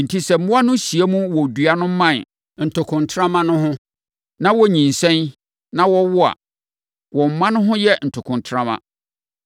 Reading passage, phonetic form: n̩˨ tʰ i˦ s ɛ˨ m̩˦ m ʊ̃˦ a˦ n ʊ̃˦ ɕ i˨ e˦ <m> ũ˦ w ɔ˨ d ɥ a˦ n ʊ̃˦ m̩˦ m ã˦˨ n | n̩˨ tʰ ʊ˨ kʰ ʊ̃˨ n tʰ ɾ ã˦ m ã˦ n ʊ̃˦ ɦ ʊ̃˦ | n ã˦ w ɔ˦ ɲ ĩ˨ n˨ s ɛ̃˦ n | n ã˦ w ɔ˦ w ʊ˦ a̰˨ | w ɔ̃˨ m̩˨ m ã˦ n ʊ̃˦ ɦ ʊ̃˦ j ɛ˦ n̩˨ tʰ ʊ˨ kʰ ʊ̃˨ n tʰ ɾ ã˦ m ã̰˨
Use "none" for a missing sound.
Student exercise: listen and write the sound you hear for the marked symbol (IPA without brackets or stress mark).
m